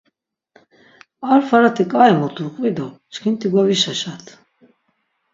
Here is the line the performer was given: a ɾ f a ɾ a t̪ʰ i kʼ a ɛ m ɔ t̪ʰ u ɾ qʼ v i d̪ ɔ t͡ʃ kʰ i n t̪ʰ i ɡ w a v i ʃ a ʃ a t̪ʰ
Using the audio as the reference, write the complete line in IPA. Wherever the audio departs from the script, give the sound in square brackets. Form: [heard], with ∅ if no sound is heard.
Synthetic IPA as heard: a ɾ f a ɾ a t̪ʰ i kʼ a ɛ m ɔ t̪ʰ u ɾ qʼ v i d̪ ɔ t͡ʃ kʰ i n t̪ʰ i ɡ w a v i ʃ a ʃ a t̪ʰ